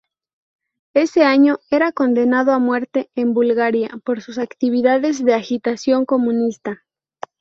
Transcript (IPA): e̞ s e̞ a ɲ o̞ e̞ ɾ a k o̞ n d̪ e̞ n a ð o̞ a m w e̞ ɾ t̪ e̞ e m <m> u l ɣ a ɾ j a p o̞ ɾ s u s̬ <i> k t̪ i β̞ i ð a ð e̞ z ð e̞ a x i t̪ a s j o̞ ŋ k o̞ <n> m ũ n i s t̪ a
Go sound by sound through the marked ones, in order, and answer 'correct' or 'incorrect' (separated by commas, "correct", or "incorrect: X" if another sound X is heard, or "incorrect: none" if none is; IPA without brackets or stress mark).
incorrect: b, incorrect: a, incorrect: none